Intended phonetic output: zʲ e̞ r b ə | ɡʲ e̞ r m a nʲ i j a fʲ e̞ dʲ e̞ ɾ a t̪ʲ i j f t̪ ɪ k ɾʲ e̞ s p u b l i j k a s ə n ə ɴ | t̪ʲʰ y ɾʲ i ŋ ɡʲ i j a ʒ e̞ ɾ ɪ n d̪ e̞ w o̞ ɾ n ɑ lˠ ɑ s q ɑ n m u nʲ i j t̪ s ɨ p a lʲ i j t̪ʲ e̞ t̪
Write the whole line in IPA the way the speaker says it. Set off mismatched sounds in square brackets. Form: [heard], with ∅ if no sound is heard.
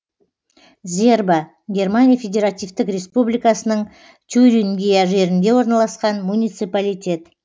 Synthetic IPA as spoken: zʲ e̞ r b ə | ɡʲ e̞ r m a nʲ i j a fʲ e̞ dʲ e̞ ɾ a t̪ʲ i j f t̪ ɪ k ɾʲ e̞ s p u b l i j k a s ə n ə ɴ | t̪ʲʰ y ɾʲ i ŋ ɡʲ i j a ʒ e̞ ɾ ɪ n d̪ e̞ w o̞ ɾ n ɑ lˠ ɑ s q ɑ n m u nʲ i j t̪ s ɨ p a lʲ i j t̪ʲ e̞ t̪